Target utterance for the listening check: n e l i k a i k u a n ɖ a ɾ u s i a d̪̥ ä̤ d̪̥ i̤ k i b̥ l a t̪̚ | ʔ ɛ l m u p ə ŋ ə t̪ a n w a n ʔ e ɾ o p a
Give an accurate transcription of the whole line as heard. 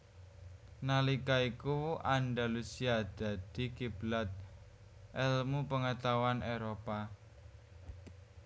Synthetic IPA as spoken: n a l i k a i k u a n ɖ a l u s i a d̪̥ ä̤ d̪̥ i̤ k i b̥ l a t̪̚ | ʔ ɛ l m u p ə ŋ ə t̪ a w a n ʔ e ɾ o p a